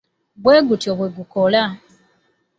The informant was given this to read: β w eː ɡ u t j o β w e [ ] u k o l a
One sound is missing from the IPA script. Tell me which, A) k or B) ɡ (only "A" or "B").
B